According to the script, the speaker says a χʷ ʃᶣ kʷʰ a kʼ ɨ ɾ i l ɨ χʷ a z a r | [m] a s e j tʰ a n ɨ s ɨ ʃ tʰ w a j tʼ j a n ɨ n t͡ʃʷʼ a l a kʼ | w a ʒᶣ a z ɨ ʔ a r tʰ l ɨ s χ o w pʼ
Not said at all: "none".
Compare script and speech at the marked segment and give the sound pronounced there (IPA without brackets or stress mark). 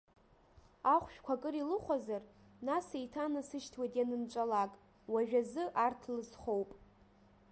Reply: n